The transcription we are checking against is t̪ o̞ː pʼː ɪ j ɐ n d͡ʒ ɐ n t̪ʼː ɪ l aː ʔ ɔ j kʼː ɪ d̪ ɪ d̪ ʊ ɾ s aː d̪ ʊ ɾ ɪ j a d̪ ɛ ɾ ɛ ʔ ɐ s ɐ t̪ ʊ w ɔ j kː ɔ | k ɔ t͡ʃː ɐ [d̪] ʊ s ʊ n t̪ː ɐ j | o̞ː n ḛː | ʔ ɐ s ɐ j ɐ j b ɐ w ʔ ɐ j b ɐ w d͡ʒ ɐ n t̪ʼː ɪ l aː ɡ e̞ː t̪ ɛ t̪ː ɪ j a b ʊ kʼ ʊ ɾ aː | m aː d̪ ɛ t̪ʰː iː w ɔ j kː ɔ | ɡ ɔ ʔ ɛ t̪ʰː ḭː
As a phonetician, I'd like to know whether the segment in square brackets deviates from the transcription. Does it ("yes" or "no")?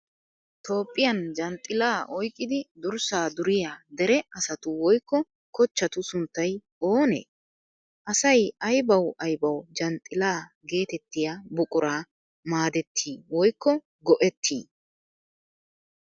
yes